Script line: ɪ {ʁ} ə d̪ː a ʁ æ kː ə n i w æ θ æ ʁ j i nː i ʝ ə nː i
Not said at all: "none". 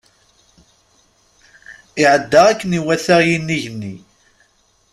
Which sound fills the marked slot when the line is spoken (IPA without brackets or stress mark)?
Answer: ʕ